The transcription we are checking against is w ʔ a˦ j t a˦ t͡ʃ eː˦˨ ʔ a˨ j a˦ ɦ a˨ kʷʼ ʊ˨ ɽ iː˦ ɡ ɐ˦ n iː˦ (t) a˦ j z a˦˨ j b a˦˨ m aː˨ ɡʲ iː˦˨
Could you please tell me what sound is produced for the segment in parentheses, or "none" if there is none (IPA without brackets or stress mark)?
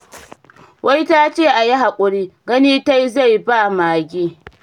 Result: t